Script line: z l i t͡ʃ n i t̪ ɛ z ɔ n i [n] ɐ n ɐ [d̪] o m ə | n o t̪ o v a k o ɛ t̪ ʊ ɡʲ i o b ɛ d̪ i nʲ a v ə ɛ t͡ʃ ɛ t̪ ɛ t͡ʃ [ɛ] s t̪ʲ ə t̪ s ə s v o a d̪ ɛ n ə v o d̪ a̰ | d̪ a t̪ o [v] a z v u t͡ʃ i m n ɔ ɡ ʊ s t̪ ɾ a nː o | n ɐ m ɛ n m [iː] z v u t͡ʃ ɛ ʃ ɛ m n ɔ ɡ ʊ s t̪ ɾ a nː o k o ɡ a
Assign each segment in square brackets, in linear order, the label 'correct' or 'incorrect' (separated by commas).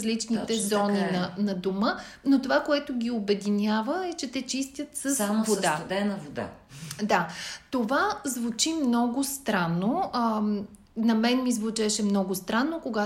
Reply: correct, correct, incorrect, correct, incorrect